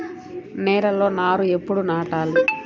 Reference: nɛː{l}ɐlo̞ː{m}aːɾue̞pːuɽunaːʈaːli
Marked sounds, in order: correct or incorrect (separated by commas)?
incorrect, incorrect